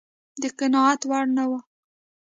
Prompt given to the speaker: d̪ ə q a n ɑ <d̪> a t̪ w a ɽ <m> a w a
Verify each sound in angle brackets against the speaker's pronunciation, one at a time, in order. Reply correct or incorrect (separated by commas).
incorrect, incorrect